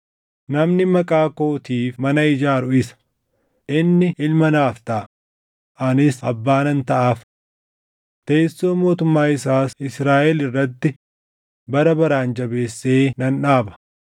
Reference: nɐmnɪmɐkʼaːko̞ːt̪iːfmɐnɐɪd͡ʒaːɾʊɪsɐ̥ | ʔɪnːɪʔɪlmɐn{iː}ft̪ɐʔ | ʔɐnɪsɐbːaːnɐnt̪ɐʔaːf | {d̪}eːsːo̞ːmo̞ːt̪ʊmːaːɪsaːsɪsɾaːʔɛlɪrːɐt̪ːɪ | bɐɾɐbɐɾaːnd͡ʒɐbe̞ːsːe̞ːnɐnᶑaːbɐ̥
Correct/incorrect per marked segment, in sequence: incorrect: aː, incorrect: t̪

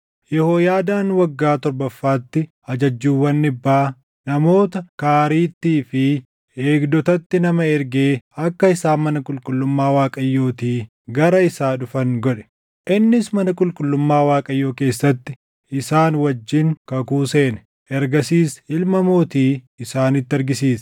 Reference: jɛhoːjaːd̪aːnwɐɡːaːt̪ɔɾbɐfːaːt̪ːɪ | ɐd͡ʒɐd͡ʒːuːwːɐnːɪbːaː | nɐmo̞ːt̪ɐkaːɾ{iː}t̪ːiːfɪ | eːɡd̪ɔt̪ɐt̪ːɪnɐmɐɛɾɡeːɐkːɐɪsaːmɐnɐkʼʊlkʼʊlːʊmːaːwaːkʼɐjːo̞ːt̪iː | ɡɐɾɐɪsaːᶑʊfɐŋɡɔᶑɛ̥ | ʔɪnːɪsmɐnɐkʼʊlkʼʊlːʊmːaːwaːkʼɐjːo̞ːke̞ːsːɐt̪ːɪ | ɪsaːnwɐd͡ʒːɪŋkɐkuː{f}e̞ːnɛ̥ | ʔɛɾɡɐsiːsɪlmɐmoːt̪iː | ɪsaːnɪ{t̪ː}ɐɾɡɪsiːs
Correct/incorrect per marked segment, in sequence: correct, incorrect: s, correct

